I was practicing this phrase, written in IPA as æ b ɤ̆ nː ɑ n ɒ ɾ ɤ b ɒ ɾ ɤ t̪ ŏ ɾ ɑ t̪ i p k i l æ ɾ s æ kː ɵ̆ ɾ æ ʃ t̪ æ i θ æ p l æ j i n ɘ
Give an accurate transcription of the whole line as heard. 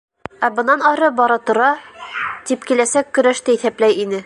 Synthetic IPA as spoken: æ b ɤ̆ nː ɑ n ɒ ɾ ɤ b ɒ ɾ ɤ t̪ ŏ ɾ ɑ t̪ i p k i l æ s æ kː ɵ̆ ɾ æ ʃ t̪ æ i θ æ p l æ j i n ɘ